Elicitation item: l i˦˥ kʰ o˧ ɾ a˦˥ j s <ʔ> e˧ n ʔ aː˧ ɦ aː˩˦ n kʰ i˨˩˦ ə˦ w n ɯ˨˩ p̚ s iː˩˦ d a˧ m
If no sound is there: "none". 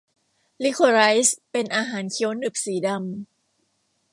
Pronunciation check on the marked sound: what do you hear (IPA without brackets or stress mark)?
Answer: p